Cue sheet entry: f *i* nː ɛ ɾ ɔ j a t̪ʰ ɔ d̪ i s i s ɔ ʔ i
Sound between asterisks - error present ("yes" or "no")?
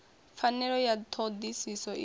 yes